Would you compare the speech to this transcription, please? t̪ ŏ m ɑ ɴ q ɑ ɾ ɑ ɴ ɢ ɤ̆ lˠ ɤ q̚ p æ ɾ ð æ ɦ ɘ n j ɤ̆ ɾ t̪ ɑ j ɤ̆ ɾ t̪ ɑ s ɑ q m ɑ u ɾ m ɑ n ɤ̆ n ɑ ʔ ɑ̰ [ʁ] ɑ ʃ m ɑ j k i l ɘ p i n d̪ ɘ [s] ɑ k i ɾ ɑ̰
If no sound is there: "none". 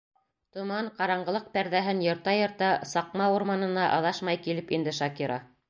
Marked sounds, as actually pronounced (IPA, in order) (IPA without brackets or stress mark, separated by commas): ð, ʃ